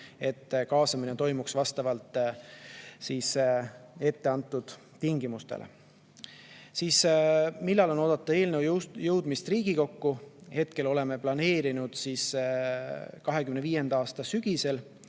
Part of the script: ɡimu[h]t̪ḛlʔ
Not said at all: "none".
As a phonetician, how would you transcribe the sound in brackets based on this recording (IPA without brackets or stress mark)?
s